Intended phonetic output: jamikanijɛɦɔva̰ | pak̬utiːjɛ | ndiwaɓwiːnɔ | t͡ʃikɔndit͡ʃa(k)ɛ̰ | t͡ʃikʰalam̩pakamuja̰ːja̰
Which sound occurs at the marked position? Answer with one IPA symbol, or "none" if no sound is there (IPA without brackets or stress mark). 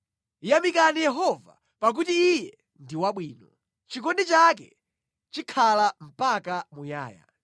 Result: k